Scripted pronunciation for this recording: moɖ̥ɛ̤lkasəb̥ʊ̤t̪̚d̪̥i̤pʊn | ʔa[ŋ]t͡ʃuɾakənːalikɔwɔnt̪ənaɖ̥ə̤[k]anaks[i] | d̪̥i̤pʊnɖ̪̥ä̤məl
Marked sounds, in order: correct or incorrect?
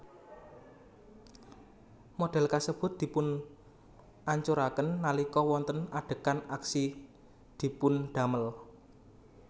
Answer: incorrect: ɲ, correct, correct

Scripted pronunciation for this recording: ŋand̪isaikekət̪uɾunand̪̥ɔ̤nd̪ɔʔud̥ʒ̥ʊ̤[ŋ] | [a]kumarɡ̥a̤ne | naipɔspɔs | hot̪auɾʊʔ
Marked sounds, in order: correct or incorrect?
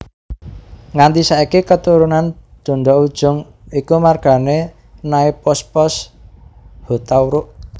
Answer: correct, incorrect: i

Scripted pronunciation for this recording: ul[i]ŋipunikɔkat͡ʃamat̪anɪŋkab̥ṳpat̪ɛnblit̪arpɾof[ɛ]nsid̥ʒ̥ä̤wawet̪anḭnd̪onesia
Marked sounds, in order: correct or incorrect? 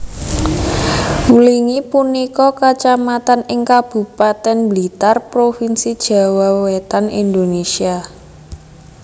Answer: correct, incorrect: i

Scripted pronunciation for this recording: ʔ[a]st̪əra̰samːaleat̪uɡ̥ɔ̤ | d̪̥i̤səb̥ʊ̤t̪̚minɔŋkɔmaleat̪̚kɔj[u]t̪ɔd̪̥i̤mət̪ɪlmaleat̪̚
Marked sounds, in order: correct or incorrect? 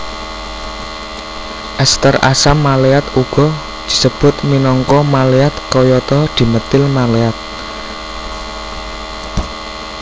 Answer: incorrect: ɛ, incorrect: ɔ

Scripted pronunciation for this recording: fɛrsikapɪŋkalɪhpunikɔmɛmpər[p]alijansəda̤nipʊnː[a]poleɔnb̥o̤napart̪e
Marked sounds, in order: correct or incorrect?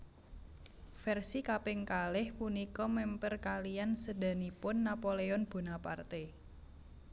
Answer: incorrect: k, correct

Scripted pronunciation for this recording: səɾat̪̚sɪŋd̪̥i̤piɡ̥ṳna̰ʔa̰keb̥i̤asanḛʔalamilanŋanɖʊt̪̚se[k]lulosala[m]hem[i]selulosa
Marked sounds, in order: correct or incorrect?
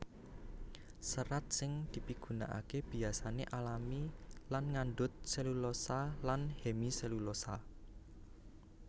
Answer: incorrect: none, incorrect: n, correct

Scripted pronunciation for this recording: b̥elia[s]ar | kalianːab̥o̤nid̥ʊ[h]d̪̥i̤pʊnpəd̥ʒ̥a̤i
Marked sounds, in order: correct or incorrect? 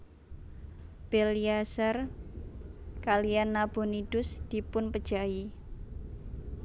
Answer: correct, incorrect: s

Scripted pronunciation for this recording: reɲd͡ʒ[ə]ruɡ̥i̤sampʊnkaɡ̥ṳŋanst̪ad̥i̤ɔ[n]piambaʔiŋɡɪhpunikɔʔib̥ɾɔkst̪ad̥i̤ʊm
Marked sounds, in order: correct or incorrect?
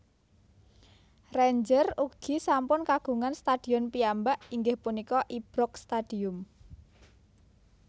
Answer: correct, correct

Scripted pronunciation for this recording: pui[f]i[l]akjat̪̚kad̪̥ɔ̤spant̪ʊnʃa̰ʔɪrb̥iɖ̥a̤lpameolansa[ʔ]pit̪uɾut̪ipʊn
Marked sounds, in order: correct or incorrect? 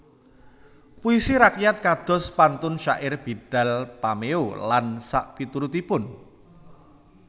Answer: incorrect: s, incorrect: ɾ, correct

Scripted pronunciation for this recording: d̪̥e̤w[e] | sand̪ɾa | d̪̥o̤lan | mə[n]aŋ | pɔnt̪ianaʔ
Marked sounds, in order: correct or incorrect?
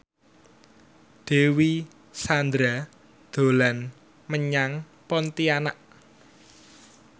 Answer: incorrect: i, incorrect: ɲ

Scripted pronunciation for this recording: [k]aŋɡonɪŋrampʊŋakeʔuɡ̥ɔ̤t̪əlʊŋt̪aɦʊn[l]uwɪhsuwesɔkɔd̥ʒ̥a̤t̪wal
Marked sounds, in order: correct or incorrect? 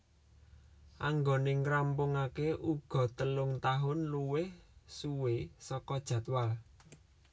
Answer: incorrect: ʔ, correct

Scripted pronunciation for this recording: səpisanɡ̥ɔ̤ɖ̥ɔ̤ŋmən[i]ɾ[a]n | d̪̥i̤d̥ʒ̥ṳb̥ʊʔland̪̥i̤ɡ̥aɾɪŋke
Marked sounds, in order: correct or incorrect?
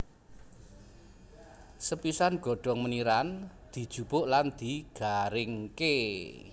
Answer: correct, correct

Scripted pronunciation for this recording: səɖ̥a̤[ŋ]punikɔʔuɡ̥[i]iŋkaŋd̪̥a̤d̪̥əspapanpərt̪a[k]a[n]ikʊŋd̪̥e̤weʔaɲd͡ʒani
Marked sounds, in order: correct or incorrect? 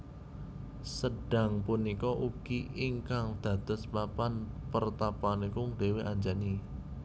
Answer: correct, correct, incorrect: p, correct

